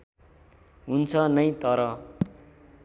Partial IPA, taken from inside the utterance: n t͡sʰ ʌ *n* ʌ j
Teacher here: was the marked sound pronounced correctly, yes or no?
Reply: yes